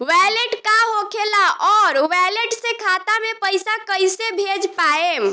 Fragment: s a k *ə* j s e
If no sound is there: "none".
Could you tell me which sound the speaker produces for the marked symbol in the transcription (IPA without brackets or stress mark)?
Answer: ə